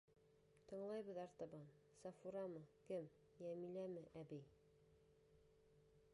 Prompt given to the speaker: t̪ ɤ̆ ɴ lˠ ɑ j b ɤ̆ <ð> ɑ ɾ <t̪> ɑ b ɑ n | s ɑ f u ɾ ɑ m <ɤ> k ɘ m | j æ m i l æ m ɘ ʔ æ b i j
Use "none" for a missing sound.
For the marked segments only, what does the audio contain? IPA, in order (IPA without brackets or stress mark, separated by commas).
ð, t̪, ɤ